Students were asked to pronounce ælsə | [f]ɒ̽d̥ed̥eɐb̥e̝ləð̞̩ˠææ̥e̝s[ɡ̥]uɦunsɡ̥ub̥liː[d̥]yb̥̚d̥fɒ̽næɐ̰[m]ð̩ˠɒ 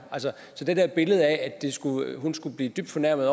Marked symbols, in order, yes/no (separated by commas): no, yes, yes, yes